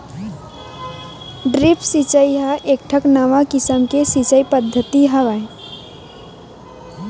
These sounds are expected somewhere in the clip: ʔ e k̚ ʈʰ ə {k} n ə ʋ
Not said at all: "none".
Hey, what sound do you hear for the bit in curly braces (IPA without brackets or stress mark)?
k